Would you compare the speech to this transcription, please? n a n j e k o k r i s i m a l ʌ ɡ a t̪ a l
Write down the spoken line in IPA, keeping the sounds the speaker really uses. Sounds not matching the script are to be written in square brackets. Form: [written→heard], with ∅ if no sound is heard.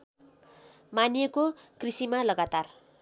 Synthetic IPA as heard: [n→m] a n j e k o k r i s i m a l ʌ ɡ a t̪ a [l→r]